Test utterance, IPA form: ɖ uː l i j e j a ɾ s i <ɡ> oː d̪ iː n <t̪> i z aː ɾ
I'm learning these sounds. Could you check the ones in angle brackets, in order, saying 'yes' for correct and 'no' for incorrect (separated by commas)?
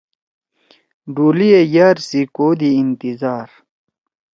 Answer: no, yes